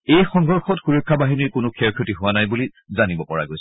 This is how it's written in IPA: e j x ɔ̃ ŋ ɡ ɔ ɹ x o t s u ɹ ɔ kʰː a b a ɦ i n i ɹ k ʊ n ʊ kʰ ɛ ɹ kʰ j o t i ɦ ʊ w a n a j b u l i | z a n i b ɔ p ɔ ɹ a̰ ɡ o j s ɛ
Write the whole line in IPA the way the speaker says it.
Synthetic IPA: e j x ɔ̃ ŋ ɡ ɔ ɹ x ɔ t x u ɹ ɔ kʰː a b a ɦ i n i ɹ k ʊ n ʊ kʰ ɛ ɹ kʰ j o t i ɦ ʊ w a n a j b u l i | z a n i b ɔ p ɔ ɹ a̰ ɡ o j s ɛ